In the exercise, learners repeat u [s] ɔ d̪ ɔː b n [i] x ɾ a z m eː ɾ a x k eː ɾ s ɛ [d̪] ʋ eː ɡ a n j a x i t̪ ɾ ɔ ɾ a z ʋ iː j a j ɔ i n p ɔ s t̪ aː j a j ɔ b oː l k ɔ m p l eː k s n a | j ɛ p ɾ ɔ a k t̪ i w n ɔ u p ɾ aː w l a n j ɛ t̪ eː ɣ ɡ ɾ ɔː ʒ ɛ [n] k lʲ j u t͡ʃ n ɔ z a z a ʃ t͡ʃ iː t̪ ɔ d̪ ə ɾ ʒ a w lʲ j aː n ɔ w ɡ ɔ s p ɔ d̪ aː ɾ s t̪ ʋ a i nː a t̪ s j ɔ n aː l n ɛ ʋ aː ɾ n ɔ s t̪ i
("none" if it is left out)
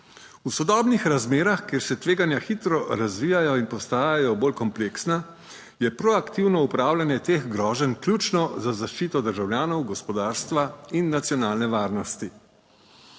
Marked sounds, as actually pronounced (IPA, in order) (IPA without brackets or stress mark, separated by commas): s, i, t̪, n